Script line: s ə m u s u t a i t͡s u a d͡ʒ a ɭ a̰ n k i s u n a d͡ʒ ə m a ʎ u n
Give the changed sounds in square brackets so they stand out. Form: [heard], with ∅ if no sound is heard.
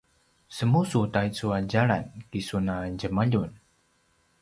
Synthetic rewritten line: s ə m u s u t a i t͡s u a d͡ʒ a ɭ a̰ n k i s u n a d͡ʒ ə m a ʎ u n